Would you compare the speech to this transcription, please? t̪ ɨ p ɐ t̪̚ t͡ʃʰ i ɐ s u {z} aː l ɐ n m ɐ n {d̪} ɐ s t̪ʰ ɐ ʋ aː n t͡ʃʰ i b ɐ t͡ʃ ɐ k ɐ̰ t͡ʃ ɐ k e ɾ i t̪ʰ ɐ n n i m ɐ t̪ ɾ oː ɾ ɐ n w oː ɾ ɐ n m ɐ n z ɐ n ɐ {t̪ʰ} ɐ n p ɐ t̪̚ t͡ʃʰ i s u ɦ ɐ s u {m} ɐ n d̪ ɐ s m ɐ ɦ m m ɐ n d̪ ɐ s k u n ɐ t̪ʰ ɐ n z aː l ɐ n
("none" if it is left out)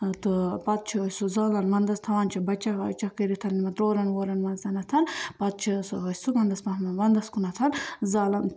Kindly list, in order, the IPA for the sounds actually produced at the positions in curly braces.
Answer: z, d̪, t̪ʰ, m

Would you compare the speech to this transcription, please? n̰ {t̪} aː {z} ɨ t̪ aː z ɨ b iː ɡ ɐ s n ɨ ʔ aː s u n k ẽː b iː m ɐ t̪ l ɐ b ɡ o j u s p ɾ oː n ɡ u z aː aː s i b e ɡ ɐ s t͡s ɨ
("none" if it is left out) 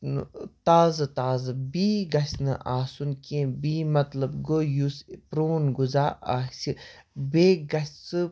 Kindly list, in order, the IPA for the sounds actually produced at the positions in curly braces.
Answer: t̪, z

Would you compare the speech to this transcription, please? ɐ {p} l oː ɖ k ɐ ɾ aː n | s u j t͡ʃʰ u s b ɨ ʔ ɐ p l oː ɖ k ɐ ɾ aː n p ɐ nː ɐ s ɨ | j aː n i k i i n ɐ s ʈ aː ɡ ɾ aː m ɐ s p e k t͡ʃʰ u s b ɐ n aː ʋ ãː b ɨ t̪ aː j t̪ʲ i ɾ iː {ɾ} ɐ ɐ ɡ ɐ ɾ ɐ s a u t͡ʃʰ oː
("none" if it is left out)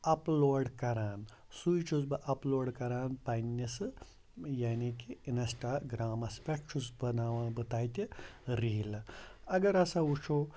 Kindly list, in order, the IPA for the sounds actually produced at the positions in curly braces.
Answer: p, l

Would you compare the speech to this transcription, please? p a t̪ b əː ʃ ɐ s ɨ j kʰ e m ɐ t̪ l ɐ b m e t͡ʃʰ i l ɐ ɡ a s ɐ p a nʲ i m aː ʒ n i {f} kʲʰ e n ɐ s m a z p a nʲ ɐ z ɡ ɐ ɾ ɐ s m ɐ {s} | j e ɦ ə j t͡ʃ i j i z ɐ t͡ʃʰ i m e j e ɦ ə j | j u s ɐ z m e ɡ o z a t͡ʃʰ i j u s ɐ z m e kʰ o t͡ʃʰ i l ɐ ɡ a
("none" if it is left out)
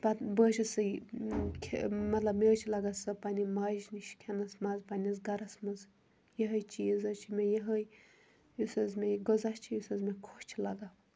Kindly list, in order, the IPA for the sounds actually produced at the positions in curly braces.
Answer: ʃ, z

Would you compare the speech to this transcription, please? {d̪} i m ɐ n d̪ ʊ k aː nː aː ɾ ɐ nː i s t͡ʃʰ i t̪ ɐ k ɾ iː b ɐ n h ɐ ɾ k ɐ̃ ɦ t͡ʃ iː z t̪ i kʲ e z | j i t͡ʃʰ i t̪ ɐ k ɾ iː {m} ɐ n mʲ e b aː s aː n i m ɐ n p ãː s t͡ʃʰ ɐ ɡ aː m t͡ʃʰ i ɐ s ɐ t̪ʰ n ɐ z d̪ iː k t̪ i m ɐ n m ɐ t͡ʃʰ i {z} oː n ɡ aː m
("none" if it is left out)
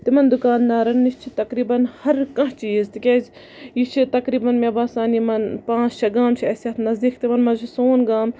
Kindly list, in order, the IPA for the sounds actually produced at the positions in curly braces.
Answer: t̪, b, s

